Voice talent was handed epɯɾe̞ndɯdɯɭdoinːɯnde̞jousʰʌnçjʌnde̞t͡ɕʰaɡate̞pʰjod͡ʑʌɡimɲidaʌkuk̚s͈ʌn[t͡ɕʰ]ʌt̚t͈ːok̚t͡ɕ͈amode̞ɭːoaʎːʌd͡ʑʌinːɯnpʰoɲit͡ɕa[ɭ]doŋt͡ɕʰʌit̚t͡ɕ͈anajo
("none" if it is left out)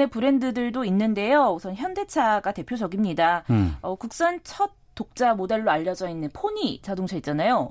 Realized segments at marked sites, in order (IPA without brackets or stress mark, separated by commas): t͡ɕʰ, none